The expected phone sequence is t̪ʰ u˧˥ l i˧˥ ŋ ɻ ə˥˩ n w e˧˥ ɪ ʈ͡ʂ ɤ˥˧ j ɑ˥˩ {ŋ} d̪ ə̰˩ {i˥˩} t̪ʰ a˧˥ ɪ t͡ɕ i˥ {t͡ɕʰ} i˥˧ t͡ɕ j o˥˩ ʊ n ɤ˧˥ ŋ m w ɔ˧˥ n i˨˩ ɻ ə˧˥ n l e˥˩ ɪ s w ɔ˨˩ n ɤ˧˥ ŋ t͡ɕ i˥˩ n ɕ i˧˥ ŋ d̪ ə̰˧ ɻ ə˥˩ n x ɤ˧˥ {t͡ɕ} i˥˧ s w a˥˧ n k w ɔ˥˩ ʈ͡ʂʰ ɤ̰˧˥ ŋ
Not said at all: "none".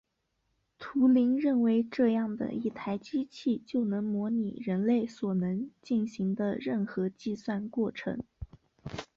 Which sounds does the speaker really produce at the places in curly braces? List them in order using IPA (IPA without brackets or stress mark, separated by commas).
ŋ, i˥˩, t͡ɕʰ, t͡ɕ